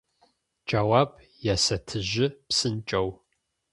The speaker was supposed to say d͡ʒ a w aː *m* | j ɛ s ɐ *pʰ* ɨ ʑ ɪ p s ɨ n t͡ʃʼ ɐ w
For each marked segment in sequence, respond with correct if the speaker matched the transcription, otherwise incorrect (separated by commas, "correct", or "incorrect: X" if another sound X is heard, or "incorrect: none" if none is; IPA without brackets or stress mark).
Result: incorrect: b, incorrect: tʰ